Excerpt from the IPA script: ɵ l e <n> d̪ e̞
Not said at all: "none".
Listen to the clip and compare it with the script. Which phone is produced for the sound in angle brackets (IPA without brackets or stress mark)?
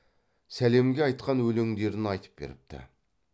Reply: ŋ